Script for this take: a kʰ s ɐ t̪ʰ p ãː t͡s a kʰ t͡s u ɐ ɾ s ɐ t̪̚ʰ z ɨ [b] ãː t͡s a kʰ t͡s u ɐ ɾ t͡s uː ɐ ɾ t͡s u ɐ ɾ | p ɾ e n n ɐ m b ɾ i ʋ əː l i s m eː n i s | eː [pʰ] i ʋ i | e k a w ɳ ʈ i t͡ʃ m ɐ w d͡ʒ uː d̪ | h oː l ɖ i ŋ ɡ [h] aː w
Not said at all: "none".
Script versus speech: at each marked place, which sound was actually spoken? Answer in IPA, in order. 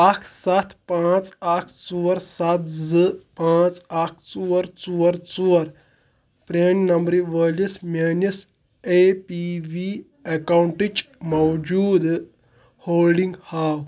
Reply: p, p, h

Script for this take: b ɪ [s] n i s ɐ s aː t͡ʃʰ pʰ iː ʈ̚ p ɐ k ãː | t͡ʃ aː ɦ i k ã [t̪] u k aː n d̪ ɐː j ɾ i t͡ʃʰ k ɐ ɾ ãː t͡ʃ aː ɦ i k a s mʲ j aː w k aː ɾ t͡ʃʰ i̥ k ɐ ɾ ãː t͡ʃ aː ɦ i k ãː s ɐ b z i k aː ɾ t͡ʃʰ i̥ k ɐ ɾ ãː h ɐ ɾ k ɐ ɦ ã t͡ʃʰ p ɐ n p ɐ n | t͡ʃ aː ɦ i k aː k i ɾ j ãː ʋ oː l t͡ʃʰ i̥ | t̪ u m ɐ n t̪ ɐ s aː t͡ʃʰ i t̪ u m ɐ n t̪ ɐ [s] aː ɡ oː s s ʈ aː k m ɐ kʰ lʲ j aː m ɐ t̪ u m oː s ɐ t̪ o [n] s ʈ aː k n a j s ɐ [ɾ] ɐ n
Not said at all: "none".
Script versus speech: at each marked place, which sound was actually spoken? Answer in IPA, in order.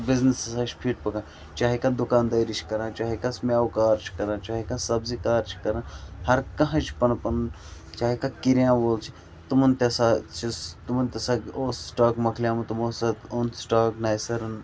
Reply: z, d̪, s, n, ɾ

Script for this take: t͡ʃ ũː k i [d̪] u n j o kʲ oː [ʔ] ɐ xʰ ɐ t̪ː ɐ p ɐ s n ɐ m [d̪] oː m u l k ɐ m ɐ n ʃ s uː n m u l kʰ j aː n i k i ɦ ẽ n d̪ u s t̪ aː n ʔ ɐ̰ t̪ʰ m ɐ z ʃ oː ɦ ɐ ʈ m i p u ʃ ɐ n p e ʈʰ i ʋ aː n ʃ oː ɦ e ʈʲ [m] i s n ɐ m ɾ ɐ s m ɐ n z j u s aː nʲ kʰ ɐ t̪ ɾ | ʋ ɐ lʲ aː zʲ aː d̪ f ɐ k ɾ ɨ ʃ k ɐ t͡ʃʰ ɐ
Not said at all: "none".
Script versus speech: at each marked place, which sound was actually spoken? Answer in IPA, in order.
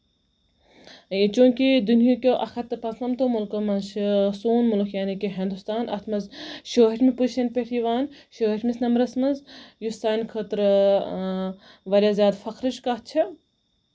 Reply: d̪, ʔ, t̪, m

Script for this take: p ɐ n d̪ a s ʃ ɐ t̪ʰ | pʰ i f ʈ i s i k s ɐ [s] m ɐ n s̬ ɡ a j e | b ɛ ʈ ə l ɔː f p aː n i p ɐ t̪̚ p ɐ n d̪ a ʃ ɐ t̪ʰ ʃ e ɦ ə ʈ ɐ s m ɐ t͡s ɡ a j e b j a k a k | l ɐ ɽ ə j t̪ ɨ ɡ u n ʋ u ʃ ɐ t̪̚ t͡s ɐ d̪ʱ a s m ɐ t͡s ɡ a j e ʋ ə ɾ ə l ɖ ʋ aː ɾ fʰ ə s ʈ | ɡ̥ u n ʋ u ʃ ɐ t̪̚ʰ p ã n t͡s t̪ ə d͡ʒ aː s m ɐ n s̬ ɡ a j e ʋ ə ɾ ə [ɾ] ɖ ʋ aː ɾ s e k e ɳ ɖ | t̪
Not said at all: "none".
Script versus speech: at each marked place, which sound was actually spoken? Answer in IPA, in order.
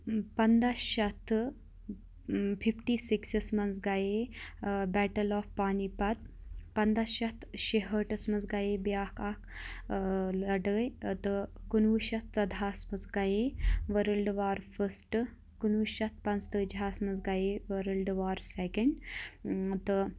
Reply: s, l

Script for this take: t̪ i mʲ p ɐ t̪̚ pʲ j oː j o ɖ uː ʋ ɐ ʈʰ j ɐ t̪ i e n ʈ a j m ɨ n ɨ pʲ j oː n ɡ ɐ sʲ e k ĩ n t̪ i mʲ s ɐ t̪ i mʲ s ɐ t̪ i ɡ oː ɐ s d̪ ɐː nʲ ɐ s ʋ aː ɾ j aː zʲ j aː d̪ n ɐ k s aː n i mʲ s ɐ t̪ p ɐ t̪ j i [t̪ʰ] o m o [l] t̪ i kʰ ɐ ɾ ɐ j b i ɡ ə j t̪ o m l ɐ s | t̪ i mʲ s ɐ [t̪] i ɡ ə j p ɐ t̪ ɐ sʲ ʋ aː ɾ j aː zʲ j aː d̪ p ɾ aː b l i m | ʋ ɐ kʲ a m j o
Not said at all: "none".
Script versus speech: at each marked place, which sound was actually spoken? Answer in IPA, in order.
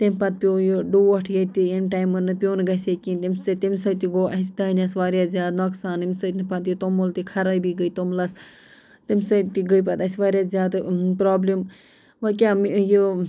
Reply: t̪, l, t̪

